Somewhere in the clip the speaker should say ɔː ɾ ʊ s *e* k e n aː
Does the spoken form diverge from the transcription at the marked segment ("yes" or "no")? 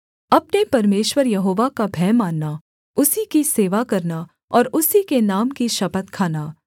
yes